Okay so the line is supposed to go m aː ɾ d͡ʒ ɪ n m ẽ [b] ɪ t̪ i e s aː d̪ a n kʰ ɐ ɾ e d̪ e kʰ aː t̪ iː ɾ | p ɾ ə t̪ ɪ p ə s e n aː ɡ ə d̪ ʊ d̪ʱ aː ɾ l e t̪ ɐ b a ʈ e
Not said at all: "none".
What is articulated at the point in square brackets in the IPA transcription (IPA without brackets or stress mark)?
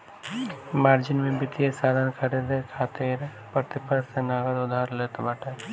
b